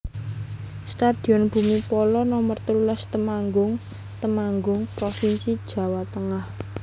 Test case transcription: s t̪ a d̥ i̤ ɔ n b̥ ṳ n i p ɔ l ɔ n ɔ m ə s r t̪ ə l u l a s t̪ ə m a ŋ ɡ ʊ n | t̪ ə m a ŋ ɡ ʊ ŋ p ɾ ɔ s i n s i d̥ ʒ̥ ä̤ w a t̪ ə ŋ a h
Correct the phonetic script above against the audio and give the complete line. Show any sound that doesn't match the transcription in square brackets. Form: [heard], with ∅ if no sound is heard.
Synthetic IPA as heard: s t̪ a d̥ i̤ ɔ n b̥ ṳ [m] i p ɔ l ɔ n ɔ m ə [∅] r t̪ ə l u l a s t̪ ə m a ŋ ɡ ʊ [ŋ] | t̪ ə m a ŋ ɡ ʊ ŋ p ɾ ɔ [f] i n s i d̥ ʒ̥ ä̤ w a t̪ ə ŋ a h